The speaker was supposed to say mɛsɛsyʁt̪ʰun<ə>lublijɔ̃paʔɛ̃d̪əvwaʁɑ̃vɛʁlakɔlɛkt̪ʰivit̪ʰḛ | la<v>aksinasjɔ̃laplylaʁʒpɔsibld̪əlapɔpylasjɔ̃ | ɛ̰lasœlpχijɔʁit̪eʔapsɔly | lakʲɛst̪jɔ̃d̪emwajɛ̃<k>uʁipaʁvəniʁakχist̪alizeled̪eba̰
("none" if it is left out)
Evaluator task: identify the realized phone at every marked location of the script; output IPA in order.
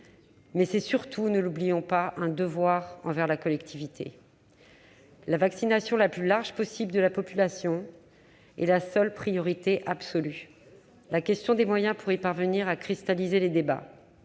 ə, v, p

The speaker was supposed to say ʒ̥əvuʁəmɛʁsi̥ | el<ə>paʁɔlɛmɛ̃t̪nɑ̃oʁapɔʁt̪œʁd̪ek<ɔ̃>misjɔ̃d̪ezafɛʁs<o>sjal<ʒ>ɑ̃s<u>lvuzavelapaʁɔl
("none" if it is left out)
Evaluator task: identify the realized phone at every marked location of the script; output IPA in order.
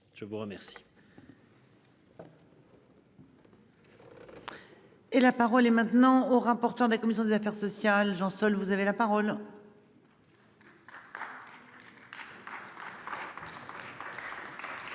a, ɔ, ɔ, ʒ, ɔ

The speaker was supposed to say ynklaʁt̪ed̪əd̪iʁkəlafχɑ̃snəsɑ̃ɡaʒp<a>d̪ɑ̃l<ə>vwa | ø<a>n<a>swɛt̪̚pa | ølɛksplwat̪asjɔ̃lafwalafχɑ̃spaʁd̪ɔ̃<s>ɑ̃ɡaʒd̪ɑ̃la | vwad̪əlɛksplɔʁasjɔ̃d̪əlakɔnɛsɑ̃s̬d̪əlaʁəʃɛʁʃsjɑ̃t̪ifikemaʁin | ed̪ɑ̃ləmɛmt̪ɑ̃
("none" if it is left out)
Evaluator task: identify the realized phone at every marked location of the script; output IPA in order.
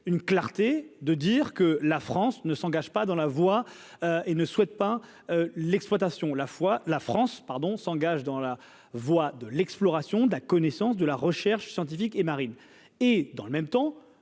a, a, e, ə, s

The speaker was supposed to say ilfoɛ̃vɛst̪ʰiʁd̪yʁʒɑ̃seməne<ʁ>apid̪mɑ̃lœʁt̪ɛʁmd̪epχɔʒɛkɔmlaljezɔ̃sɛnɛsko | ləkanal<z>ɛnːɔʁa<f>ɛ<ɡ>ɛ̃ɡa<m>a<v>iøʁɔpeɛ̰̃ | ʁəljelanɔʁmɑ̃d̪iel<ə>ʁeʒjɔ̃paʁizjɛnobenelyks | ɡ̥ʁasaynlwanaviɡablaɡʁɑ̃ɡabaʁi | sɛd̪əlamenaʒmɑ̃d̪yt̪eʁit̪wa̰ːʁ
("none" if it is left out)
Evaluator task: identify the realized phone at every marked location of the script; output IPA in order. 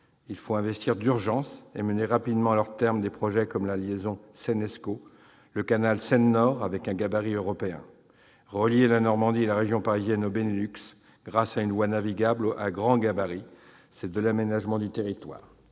ʁ, s, v, k, b, ʁ, a

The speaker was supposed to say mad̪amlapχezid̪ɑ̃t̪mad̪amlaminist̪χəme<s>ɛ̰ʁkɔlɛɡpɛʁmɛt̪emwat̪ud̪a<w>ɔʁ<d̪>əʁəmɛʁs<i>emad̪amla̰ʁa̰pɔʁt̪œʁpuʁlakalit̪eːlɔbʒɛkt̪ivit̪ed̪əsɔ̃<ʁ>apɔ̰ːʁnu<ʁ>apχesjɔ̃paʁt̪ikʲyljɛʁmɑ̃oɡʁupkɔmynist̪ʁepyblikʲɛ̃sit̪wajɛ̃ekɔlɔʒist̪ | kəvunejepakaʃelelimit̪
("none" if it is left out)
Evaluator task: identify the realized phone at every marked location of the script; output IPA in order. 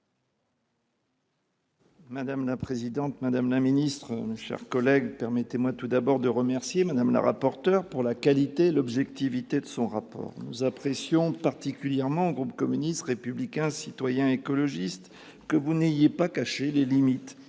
ʃ, b, d̪, j, ʁ, z

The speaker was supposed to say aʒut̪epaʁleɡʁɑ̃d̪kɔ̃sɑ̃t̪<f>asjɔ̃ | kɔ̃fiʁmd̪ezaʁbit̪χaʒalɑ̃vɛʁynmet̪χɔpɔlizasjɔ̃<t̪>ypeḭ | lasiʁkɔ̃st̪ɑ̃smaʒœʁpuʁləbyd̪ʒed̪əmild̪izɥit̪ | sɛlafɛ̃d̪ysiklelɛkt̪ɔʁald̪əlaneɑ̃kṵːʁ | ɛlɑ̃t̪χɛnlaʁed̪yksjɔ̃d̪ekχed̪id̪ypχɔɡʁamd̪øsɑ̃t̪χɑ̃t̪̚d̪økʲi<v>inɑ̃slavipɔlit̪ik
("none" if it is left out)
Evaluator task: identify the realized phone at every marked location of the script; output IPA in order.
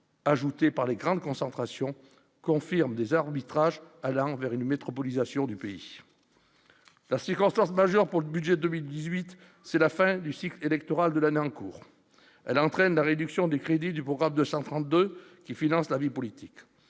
χ, d̪, f

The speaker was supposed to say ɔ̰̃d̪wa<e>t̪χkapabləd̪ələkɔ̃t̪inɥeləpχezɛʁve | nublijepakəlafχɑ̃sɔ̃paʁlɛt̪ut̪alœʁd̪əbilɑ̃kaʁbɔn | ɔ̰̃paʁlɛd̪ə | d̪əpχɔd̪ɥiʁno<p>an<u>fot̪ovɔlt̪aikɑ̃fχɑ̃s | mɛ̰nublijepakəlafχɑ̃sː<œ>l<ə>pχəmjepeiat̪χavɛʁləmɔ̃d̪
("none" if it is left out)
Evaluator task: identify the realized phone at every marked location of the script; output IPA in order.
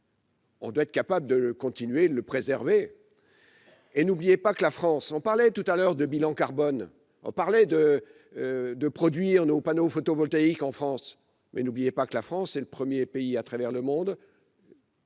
ɛ, p, o, ɛ, ə

